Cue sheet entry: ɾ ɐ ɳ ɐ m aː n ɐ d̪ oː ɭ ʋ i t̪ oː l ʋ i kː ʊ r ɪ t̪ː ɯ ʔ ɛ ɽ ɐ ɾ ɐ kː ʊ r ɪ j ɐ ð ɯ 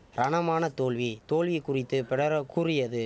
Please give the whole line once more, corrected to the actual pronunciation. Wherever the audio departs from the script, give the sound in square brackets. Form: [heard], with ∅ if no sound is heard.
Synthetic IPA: ɾ ɐ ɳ ɐ m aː n ɐ [t̪] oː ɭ ʋ i t̪ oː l ʋ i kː ʊ r ɪ t̪ː ɯ [p] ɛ ɽ ɐ ɾ ɐ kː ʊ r ɪ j ɐ ð ɯ